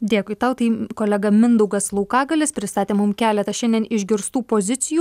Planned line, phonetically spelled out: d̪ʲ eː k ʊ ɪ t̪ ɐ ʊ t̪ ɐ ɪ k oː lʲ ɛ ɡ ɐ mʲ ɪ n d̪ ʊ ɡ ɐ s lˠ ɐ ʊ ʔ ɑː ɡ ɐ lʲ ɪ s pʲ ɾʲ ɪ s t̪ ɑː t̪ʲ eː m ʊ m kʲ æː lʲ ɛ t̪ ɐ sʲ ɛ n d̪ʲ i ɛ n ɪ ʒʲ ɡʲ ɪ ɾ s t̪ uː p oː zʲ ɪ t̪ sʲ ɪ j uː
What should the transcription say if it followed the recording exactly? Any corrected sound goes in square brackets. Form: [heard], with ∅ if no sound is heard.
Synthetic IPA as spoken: d̪ʲ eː k ʊ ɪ t̪ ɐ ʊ t̪ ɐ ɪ k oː lʲ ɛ ɡ ɐ mʲ ɪ n d̪ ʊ ɡ ɐ s lˠ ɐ ʊ [k] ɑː ɡ ɐ lʲ ɪ s pʲ ɾʲ ɪ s t̪ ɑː t̪ʲ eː m ʊ m kʲ æː lʲ ɛ t̪ ɐ [ʃʲ] ɛ n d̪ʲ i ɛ n ɪ ʒʲ ɡʲ ɪ ɾ s t̪ uː p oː zʲ ɪ t̪ sʲ ɪ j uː